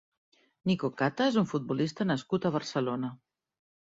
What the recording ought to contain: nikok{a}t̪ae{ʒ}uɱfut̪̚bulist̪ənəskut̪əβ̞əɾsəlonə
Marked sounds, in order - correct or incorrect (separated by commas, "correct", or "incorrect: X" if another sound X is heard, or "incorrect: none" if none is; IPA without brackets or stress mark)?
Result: correct, incorrect: z